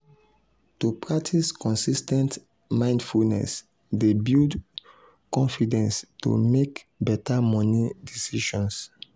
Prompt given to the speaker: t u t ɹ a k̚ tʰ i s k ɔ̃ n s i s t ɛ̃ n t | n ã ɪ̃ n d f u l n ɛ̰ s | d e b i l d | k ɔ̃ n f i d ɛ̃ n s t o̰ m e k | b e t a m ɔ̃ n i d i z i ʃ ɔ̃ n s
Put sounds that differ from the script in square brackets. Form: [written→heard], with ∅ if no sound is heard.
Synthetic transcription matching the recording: t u [t→p] ɹ a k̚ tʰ i s k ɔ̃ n s i s t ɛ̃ n t | [n→m] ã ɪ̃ n d f u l n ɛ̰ s | d e b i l d | k ɔ̃ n f i d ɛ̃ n s t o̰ m e k | b [e→ɛ] t a m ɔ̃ n i d i [z→s] i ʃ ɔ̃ n s